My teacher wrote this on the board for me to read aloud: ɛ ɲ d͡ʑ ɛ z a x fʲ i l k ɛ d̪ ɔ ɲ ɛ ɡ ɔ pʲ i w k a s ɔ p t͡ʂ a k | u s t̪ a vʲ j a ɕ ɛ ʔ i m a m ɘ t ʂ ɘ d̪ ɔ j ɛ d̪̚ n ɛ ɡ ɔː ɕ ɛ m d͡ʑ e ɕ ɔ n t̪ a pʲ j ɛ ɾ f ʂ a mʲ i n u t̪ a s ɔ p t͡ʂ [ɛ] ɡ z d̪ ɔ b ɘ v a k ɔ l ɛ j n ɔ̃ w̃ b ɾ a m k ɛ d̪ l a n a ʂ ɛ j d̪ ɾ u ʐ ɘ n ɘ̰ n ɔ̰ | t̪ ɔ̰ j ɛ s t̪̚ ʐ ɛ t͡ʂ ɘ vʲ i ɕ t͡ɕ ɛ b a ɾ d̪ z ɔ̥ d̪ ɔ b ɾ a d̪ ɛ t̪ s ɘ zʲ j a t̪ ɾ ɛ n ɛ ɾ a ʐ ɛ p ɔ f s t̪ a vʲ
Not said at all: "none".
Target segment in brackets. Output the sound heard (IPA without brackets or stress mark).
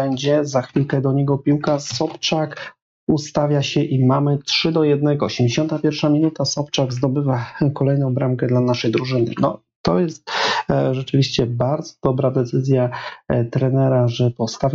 a